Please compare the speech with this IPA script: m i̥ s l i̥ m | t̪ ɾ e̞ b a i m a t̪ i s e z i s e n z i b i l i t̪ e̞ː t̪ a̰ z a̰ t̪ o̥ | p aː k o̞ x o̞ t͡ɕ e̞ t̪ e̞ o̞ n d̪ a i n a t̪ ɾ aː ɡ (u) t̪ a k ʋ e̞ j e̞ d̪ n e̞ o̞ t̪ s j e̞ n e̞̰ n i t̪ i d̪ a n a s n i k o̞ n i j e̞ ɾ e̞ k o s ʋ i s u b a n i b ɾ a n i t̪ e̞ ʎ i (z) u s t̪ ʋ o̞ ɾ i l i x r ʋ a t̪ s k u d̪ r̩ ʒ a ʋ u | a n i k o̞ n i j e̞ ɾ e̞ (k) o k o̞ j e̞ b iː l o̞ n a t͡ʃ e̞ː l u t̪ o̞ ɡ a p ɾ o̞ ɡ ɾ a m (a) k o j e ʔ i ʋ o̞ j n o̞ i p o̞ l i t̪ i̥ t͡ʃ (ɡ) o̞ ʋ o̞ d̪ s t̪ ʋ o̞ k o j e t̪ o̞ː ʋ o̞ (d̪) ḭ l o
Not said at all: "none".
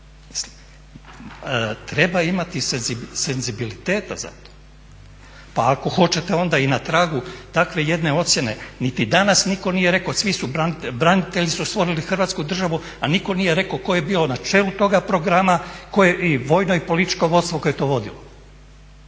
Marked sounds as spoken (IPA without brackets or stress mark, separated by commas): u, s, k, a, k, d̪